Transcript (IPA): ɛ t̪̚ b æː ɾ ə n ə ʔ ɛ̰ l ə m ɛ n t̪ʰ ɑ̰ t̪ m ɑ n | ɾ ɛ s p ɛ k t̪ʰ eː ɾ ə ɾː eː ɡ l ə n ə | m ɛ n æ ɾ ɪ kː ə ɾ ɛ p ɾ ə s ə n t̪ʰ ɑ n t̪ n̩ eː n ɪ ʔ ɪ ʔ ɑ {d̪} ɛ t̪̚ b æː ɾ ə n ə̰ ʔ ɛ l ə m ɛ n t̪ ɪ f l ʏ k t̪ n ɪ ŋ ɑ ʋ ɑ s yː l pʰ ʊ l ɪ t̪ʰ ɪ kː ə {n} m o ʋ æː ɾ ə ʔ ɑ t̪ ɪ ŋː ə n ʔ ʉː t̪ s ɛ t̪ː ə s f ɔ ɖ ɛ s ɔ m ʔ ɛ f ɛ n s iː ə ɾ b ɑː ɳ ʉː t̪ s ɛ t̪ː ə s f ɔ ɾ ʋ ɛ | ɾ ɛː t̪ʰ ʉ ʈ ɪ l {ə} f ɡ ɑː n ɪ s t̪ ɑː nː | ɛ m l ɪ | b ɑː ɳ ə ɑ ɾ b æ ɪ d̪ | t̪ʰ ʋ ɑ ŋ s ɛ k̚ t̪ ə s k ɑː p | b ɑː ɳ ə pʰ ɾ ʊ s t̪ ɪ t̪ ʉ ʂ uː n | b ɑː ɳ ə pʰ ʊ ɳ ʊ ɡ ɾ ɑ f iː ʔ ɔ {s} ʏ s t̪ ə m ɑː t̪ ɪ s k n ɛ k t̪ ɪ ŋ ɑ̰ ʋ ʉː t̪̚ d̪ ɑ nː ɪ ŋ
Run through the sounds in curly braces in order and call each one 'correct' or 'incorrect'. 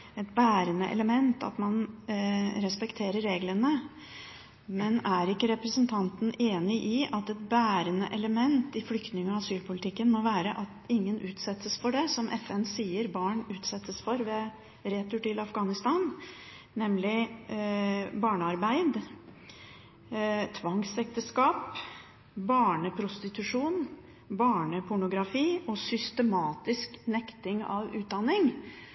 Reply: incorrect: t̪, correct, incorrect: ɑ, correct

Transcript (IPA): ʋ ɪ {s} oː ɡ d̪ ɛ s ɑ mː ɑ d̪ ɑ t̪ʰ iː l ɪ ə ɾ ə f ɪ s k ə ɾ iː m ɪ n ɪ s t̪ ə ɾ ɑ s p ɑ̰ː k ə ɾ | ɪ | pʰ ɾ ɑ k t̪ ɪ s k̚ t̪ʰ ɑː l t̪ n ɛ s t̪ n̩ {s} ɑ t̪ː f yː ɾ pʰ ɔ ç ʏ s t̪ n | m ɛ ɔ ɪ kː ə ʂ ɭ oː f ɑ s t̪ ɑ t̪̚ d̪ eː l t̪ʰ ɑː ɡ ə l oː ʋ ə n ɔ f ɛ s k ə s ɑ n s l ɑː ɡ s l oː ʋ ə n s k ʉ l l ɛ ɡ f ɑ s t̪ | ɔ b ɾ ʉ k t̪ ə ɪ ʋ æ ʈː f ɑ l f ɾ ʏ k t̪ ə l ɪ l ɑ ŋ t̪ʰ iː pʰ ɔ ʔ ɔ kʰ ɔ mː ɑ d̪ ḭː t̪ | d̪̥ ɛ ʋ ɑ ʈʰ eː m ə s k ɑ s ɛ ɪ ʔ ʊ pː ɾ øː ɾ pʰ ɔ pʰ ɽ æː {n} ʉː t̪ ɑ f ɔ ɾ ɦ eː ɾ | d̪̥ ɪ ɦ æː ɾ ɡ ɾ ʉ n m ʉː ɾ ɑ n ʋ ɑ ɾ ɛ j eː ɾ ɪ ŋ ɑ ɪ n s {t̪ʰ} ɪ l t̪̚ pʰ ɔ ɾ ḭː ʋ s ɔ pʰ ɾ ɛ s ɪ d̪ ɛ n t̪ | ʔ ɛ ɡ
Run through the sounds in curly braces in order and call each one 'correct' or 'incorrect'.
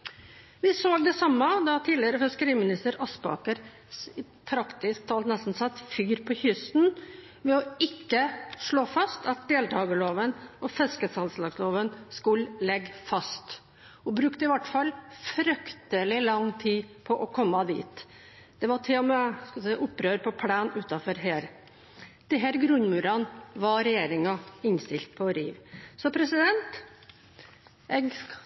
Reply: correct, correct, correct, incorrect: t̪

